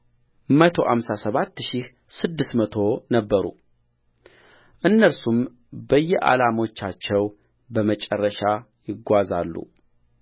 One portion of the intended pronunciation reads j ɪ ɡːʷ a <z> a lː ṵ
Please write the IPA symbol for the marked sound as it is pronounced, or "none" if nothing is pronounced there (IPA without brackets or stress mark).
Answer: z